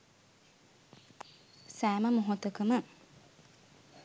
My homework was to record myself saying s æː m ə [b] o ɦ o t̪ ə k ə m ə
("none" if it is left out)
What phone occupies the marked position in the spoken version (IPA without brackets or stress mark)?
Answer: m